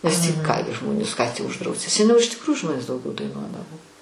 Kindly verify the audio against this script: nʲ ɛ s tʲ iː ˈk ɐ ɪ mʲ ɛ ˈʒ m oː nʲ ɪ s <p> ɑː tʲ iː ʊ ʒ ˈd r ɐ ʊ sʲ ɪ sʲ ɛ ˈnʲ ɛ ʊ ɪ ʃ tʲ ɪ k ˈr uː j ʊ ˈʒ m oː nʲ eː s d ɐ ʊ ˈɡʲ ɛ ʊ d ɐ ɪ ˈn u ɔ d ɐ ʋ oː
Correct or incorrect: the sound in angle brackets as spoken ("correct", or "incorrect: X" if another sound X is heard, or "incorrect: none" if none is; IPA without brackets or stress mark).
incorrect: k